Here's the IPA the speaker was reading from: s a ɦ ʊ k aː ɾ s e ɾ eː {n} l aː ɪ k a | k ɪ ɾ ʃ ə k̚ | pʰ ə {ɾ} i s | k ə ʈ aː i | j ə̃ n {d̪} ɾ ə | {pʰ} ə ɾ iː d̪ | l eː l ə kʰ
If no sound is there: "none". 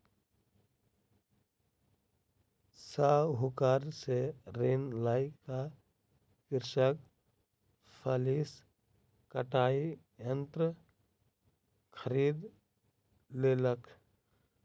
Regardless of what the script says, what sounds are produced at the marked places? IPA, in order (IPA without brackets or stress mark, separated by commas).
n, l, t̪, kʰ